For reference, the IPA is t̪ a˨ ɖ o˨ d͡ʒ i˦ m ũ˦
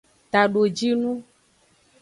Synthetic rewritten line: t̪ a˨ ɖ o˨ d͡ʒ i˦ n ũ˦